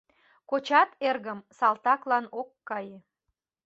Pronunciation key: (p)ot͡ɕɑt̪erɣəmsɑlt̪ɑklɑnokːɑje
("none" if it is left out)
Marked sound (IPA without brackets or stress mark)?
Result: k